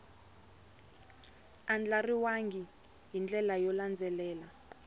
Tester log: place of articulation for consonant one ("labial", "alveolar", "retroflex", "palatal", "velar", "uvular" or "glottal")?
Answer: alveolar